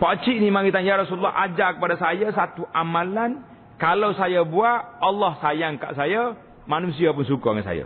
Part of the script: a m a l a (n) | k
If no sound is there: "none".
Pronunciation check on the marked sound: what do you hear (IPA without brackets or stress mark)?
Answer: n